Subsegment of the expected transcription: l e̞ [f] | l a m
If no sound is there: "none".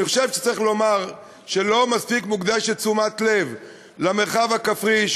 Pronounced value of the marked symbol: v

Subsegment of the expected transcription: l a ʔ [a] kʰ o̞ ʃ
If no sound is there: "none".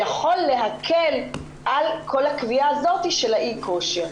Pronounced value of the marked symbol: i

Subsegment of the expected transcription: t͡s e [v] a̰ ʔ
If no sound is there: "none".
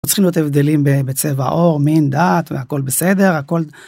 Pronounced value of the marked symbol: v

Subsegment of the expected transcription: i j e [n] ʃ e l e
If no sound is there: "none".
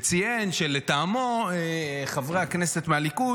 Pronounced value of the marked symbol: n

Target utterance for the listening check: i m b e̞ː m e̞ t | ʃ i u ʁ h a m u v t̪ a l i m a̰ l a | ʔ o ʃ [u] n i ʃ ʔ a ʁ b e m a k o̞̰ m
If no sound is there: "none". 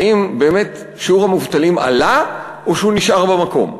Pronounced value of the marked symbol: u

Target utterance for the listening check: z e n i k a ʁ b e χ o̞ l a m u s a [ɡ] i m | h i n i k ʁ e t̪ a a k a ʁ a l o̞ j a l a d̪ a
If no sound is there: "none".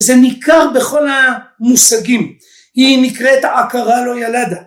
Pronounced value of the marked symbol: ɡ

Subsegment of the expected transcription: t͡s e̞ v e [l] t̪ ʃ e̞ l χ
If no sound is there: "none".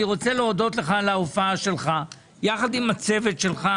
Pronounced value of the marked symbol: none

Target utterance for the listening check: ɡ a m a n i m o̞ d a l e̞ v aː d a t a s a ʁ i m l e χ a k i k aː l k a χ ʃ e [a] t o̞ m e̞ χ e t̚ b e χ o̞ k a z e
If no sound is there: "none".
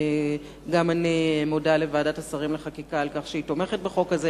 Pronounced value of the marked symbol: i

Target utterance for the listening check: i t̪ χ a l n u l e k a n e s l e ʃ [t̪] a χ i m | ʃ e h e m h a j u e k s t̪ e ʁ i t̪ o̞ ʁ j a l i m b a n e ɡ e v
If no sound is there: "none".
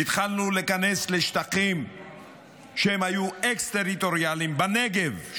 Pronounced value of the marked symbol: t̪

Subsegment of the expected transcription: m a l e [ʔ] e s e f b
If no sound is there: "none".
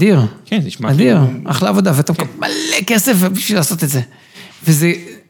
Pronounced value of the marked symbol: k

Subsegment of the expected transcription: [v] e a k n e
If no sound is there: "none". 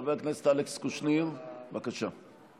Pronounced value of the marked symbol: v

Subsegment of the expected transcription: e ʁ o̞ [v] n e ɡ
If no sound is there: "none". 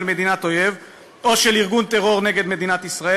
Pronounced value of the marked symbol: ʁ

